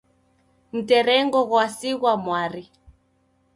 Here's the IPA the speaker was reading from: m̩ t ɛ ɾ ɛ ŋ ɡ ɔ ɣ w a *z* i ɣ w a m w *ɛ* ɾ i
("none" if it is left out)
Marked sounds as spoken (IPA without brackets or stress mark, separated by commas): s, a